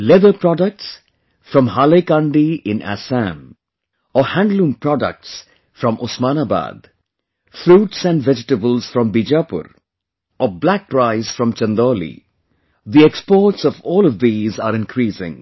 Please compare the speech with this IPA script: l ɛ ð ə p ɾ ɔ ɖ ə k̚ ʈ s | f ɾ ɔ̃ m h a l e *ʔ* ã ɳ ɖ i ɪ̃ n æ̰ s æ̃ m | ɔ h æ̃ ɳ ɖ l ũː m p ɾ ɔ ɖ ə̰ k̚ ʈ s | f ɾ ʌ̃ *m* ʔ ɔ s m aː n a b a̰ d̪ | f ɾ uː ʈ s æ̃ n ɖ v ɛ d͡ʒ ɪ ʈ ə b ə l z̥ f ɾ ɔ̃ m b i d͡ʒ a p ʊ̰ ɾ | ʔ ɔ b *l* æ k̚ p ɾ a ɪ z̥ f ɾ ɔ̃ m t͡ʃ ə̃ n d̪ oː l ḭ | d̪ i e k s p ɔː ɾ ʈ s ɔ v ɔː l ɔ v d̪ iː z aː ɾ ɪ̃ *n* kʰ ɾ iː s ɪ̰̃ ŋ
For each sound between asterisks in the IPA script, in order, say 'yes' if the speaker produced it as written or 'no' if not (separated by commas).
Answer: no, yes, yes, yes